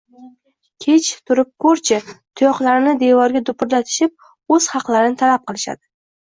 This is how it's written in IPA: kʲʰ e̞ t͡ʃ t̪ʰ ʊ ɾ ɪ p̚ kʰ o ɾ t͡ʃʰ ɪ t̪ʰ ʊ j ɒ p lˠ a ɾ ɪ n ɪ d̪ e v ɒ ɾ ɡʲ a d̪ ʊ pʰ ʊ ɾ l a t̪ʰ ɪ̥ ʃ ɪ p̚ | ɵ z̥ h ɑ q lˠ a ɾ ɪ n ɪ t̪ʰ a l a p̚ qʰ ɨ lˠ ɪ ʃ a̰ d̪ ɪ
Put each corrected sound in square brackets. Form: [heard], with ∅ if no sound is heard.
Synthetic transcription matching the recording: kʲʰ e̞ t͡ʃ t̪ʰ ʊ ɾ ɪ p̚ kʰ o ɾ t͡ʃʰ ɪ t̪ʰ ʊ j ɒ [q] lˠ a ɾ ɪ n ɪ d̪ e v ɒ ɾ ɡʲ a d̪ ʊ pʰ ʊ ɾ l a t̪ʰ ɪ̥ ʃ ɪ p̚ | ɵ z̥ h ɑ q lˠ a ɾ ɪ n ɪ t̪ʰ a l a p̚ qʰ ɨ lˠ ɪ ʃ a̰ d̪ ɪ

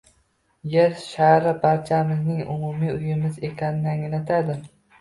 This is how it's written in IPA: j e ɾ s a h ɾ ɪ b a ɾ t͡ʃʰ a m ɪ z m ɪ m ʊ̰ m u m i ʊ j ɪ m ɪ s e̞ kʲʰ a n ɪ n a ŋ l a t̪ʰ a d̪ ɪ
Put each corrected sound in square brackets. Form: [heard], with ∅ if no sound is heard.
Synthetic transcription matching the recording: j e ɾ [ʃ] a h ɾ ɪ b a ɾ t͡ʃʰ a m ɪ z [n] ɪ [ŋ] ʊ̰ m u m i ʊ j ɪ m ɪ [z] e̞ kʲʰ a n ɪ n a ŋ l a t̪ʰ a d̪ ɪ

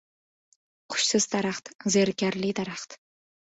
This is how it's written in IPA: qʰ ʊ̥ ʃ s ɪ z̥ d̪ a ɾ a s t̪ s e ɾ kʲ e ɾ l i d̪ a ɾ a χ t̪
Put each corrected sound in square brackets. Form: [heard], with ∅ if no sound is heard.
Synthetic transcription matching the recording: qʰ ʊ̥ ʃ s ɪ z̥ d̪ a ɾ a [χ] t̪ [z] e ɾ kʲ [a] ɾ l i d̪ a ɾ a χ t̪

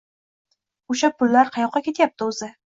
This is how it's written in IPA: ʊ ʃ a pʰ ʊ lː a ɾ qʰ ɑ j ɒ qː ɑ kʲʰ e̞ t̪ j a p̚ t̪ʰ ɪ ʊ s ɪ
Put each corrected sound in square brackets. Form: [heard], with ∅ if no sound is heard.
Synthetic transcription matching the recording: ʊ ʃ a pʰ ʊ lː a ɾ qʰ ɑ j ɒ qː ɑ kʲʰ e̞ t̪ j a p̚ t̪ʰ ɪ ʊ [z] ɪ

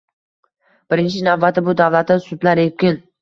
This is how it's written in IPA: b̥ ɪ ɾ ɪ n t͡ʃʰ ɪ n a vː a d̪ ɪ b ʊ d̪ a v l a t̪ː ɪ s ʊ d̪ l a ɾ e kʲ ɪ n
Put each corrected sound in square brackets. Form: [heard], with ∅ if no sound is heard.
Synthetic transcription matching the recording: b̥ ɪ ɾ ɪ n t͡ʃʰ ɪ n a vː a [t̪] ɪ b ʊ d̪ a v l a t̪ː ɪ s ʊ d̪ l a ɾ e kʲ ɪ n

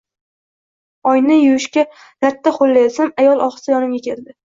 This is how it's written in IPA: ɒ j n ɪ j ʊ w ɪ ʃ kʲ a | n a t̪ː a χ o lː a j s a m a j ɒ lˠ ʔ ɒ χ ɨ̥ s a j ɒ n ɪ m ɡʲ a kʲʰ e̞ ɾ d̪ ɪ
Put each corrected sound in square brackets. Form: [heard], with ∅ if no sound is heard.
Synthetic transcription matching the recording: ɒ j n ɪ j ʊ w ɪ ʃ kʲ a | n a t̪ː a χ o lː a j s a m a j ɒ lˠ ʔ ɒ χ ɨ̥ s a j ɒ n ɪ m ɡʲ a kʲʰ e̞ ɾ d̪ ɪ

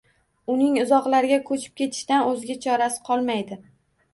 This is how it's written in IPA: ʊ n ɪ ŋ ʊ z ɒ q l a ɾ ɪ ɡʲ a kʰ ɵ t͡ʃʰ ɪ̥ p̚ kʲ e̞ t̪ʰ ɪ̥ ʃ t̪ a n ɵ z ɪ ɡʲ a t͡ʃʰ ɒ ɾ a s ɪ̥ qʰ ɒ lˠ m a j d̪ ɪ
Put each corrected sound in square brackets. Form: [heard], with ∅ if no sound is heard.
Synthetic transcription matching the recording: ʊ n ɪ ŋ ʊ z ɒ q l a ɾ ɪ ɡʲ a kʰ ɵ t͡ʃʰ ɪ̥ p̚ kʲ e̞ t̪ʰ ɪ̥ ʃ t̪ a n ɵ z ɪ ɡʲ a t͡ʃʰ ɒ ɾ a s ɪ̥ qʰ ɒ lˠ m a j d̪ ɪ

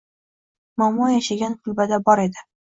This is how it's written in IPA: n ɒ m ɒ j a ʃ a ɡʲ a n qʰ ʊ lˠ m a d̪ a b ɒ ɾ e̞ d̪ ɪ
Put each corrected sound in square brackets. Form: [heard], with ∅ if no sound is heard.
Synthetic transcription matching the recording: [m] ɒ m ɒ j a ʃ a ɡʲ a n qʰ ʊ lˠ [b] a d̪ a b ɒ ɾ e̞ d̪ ɪ

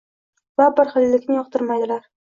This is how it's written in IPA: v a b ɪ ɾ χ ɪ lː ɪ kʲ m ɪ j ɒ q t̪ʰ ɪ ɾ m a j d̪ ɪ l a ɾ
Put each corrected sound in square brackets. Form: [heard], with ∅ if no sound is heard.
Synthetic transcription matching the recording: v a b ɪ ɾ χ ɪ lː ɪ kʲ [n] ɪ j ɒ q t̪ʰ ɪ ɾ m a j d̪ ɪ l a ɾ

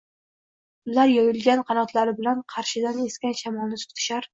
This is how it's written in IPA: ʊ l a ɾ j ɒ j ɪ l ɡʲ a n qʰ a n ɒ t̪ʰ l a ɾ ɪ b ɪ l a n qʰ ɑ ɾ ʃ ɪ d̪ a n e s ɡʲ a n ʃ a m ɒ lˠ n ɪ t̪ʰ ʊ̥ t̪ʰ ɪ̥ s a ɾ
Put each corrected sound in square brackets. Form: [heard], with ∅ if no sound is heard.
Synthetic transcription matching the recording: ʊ l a ɾ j ɒ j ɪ l ɡʲ a n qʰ [ɑ] n ɒ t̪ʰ l a ɾ ɪ b ɪ l a n qʰ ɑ ɾ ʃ ɪ d̪ a n e s [kʲ] a n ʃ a m ɒ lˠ n ɪ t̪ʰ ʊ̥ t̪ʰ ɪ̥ [ʃ] a ɾ

